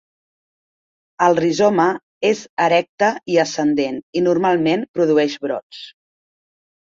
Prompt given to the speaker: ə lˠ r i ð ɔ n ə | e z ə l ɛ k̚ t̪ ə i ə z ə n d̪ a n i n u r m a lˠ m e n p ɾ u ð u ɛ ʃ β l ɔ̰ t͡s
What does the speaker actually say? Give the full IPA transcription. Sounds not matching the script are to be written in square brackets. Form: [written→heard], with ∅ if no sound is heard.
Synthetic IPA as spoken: ə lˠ r i [ð→z] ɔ [n→m] ə | e z ə [l→ɾ] ɛ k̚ t̪ ə i ə [z→s] ə n d̪ [a→e] n i n u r m a lˠ m e n p ɾ u ð u ɛ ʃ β [l→ɾ] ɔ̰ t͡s

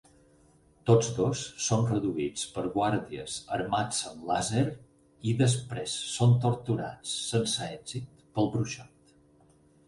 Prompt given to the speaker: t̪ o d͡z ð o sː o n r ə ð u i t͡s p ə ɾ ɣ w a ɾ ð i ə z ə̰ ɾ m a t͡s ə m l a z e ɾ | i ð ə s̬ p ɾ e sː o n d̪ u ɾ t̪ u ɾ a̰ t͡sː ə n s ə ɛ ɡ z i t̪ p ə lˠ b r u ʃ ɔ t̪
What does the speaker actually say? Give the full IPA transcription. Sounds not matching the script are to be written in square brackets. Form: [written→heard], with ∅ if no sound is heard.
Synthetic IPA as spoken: t̪ o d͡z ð o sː o n r ə ð u i t͡s p ə ɾ ɣ w a ɾ ð i ə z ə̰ ɾ m a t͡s ə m l a z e ɾ | i ð ə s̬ p ɾ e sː o n [d̪→t̪] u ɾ t̪ u ɾ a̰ t͡sː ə n s ə ɛ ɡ z i t̪ p ə lˠ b [r→ɾ] u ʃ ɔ t̪

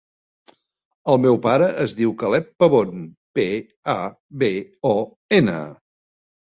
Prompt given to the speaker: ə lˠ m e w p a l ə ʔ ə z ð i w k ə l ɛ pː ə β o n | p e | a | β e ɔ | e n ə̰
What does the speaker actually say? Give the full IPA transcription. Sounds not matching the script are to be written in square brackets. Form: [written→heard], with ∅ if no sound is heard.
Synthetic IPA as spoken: ə lˠ m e w p a [l→ɾ] ə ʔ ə z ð i w k ə l ɛ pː ə β o n | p e | a | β e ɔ | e n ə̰

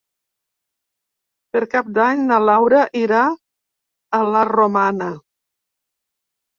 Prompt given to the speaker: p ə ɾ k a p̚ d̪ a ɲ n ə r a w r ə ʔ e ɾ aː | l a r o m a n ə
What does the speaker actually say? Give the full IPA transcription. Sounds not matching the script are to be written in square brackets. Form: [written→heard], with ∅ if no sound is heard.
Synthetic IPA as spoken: p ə ɾ k a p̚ d̪ a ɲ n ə [r→l] a w [r→ɾ] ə ʔ [e→i] ɾ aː | l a r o m a n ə

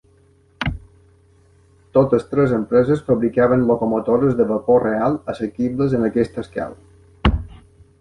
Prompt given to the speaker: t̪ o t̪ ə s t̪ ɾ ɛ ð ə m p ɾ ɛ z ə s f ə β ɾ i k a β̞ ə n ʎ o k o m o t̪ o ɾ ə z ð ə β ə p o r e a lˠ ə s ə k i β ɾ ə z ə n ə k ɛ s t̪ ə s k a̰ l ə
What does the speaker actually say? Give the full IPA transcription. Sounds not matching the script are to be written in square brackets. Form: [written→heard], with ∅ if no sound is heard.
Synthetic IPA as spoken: t̪ o t̪ ə s t̪ ɾ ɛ [ð→z] ə m p ɾ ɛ z ə s f ə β ɾ i k a β̞ ə n [ʎ→l] o k o m o t̪ o ɾ ə z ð ə β ə p o r e a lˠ ə s ə k i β [ɾ→l] ə z ə n ə k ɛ s t̪ ə s k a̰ l ə

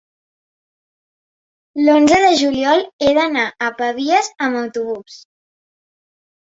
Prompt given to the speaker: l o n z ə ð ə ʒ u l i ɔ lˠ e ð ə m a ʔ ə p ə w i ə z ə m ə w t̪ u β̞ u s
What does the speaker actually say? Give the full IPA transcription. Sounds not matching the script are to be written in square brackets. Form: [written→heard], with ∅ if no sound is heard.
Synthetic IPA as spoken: l o n z ə ð ə ʒ u l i ɔ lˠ e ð ə [m→n] a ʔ ə p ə [w→β] i ə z ə m ə w t̪ u β̞ u s

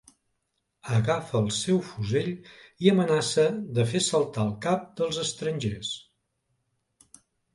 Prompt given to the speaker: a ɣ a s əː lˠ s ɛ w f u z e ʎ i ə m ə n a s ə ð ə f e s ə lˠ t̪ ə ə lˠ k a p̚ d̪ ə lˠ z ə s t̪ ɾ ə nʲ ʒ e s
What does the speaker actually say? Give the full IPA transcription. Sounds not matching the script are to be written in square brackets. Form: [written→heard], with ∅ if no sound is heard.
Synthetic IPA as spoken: [a→ə] ɣ a [s→f] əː lˠ s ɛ w f u z e ʎ i ə m ə n a s ə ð ə f e s ə lˠ t̪ [ə→a] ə lˠ k a p̚ d̪ ə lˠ z ə s t̪ ɾ ə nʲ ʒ e s

